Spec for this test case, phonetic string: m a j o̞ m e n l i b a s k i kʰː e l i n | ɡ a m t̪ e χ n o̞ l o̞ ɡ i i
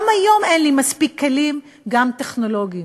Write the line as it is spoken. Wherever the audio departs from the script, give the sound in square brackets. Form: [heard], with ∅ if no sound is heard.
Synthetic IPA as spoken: m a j o̞ m e n l i [m] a s [p] i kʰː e l i [m] | ɡ a m t̪ e χ n o̞ l o̞ ɡ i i